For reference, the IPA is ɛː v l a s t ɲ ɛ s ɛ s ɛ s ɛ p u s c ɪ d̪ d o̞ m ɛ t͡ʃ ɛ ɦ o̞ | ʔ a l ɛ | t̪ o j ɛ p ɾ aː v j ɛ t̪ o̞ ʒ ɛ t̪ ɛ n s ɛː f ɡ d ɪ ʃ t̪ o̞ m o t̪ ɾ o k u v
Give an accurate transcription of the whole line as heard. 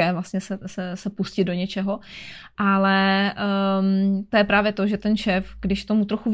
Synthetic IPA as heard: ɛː v l a s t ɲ ɛ s ɛ s ɛ s ɛ p u s c ɪ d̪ d o̞ ɲ ɛ t͡ʃ ɛ ɦ o̞ | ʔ a l ɛ | t̪ o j ɛ p ɾ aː v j ɛ t̪ o̞ ʒ ɛ t̪ ɛ n ʃ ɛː f ɡ d ɪ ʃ t̪ o̞ m u t̪ ɾ o x u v